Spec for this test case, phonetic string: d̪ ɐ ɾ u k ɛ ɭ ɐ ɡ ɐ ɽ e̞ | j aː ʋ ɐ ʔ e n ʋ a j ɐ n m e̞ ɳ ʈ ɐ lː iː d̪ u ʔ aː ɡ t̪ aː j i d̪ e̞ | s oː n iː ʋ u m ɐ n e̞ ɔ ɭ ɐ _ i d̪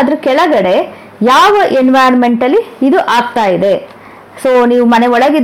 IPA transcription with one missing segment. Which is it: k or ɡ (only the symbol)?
ɡ